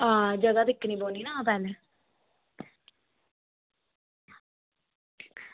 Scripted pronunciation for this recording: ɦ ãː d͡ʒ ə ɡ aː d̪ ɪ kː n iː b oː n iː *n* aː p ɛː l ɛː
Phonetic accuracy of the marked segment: correct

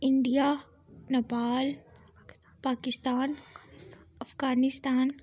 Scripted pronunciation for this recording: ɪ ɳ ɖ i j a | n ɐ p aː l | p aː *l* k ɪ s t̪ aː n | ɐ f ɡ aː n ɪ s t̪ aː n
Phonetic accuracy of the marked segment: incorrect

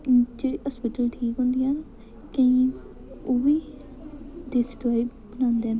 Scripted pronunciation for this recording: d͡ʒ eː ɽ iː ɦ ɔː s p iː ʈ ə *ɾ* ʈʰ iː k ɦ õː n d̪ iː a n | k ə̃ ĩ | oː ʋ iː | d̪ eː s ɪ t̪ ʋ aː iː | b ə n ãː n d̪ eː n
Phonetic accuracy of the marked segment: incorrect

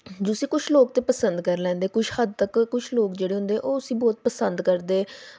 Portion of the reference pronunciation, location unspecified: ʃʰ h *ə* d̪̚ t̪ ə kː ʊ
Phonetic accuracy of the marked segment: correct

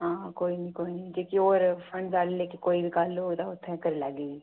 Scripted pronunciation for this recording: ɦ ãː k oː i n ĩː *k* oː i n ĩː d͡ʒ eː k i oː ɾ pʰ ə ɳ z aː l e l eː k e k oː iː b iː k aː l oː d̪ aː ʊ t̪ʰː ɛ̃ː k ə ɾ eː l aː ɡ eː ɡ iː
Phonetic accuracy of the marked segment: correct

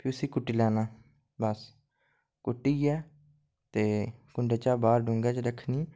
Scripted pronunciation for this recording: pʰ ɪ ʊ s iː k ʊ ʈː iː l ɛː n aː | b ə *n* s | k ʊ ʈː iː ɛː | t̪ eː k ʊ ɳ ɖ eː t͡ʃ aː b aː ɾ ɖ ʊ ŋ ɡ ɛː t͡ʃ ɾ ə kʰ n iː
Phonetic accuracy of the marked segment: incorrect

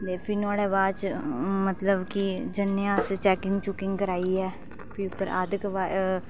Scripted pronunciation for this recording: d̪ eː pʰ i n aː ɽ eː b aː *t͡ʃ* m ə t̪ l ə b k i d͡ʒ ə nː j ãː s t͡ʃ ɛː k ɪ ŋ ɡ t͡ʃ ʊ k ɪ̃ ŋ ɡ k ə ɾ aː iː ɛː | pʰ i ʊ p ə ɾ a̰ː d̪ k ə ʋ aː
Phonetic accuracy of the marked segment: correct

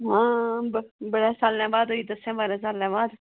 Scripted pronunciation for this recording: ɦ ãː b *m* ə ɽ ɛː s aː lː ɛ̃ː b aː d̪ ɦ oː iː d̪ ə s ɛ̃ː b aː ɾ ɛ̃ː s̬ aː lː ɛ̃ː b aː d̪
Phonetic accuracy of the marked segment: incorrect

